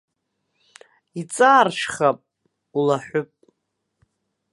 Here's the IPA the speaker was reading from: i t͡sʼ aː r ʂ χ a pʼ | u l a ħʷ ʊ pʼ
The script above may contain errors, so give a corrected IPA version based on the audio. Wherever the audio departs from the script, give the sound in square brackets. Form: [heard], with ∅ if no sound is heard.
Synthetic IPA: i t͡sʼ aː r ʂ χ a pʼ | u l a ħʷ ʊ pʼ